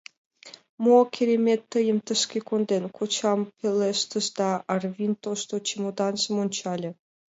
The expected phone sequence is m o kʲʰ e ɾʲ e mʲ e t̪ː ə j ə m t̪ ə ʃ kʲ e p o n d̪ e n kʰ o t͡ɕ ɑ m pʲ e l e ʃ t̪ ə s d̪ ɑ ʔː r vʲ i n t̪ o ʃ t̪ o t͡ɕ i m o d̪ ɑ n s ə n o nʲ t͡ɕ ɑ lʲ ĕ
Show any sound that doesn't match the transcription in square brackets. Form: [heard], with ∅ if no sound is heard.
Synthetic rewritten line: m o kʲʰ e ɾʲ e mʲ e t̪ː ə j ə m t̪ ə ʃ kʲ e [k] o n d̪ e n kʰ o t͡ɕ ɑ m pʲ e l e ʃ t̪ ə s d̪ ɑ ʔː r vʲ i n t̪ o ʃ t̪ o t͡ɕ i m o d̪ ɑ n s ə [m] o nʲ t͡ɕ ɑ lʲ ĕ

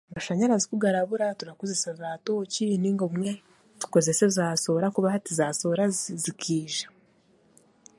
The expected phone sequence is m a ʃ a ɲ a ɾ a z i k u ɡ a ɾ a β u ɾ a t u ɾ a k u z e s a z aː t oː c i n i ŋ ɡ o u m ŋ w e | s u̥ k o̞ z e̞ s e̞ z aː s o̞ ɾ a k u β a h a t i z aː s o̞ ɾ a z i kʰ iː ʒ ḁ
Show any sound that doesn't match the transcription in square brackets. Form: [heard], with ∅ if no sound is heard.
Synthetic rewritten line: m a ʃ a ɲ a ɾ a z i k u ɡ a ɾ a β u ɾ a t u ɾ a k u z e s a z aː t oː c i n i ŋ ɡ o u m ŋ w e | [t] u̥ k o̞ z e̞ s e̞ z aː s o̞ ɾ a k u β a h a t i z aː s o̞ ɾ a z i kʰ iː ʒ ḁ

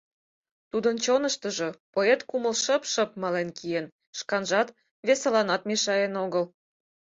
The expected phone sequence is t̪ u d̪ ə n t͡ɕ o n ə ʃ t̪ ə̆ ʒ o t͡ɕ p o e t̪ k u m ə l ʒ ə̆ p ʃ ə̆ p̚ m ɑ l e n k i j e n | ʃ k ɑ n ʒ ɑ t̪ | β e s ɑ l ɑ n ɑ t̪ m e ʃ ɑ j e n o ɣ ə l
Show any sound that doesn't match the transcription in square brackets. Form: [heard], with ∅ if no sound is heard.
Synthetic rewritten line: t̪ u d̪ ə n t͡ɕ o n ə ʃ t̪ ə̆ ʒ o [∅] p o e t̪ k u m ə l [ʃ] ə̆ p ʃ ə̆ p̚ m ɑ l e n k i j e n | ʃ k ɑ n ʒ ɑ t̪ | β e s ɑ l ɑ n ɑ t̪ m e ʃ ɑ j e n o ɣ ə l

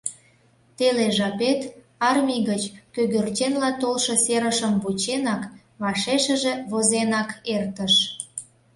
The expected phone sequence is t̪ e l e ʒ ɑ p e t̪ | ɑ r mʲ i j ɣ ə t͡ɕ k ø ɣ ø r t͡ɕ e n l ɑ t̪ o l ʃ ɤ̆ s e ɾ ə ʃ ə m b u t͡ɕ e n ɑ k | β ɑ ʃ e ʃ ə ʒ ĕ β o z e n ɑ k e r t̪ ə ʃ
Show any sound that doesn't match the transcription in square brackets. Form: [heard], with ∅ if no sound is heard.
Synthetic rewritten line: t̪ e l e ʒ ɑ p e t̪ | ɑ r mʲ i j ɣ ə t͡ɕ k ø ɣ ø r t͡ɕ e n l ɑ t̪ o l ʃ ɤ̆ s e ɾ ə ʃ ə m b u t͡ɕ e n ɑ k | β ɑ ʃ e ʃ ə ʒ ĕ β o z e n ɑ k e r t̪ ə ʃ

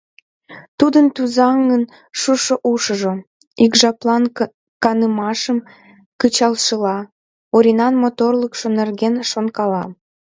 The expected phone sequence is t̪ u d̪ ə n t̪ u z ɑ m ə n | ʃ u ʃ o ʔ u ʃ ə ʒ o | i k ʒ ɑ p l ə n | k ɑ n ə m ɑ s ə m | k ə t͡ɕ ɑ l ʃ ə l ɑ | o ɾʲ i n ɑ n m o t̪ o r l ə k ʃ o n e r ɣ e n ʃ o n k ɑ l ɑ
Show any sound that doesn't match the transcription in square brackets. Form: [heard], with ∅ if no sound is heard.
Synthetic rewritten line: t̪ u d̪ ə n t̪ u z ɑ [ŋ] ə n | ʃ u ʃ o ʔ u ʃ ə ʒ o | i k ʒ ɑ p l [ɑ] n | k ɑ n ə m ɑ [ʃ] ə m | k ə t͡ɕ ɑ l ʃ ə l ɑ | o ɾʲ i n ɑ n m o t̪ o r l ə k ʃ o n e r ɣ e n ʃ o n k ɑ l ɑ

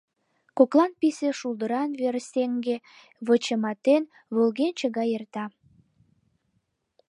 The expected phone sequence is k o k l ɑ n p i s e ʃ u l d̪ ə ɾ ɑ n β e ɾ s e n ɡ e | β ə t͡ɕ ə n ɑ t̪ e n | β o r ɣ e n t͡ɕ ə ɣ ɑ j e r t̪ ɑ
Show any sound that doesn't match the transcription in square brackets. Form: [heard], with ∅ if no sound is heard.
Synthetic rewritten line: k o k l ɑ n p i s e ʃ u l d̪ ə ɾ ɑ n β e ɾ s e [ŋ] ɡ e | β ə t͡ɕ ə [m] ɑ t̪ e n | β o [l] ɣ e n t͡ɕ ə ɣ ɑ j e r t̪ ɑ

